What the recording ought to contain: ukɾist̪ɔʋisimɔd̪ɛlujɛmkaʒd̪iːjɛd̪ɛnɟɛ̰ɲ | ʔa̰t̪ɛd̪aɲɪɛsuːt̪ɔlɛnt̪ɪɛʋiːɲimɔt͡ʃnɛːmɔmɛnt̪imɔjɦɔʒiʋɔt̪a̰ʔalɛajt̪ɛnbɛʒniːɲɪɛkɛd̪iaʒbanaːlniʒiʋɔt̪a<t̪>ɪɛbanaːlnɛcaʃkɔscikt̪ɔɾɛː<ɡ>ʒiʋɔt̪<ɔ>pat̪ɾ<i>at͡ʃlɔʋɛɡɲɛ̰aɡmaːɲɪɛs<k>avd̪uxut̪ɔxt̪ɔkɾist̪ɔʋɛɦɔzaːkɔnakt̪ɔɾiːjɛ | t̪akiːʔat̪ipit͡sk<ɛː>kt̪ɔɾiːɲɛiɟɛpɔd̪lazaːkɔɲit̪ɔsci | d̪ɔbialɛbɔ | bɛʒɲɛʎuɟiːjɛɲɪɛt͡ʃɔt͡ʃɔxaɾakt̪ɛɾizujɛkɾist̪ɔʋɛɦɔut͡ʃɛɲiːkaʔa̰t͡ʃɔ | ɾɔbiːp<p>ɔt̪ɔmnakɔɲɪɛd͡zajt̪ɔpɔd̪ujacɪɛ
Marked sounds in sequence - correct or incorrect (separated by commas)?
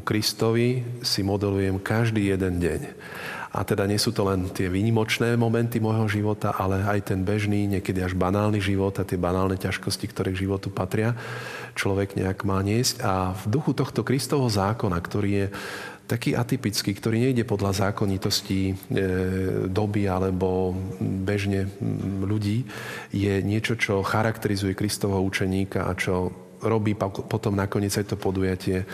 correct, correct, incorrect, incorrect, incorrect, incorrect, correct